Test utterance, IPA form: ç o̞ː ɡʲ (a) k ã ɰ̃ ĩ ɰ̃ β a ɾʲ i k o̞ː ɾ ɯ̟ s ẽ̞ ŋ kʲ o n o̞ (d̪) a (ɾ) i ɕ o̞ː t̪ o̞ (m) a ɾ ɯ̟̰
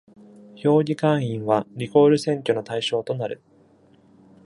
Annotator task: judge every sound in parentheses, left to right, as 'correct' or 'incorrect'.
incorrect: i, incorrect: t̪, incorrect: none, incorrect: n

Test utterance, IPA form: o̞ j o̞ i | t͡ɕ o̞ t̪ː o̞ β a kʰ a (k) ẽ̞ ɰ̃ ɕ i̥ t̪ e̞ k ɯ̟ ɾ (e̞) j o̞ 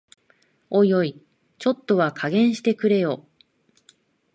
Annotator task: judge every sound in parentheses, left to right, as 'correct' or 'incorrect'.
incorrect: ɡ, correct

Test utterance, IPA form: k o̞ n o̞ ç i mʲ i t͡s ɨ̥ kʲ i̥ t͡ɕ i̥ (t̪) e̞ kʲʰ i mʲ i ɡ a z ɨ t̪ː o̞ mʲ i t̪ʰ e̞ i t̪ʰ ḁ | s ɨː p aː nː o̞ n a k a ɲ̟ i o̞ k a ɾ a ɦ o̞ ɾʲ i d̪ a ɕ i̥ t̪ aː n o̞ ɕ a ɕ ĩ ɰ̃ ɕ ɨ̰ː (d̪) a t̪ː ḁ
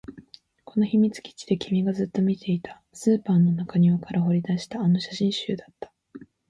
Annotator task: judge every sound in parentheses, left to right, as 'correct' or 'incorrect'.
incorrect: d̪, correct

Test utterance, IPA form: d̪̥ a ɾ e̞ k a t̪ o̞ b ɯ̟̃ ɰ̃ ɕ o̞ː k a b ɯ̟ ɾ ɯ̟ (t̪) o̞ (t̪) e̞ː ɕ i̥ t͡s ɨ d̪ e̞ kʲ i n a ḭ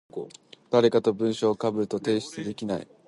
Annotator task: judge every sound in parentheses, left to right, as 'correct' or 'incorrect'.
correct, correct

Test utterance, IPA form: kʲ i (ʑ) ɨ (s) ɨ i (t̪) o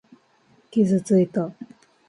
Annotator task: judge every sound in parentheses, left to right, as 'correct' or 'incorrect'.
incorrect: z, incorrect: t͡s, correct

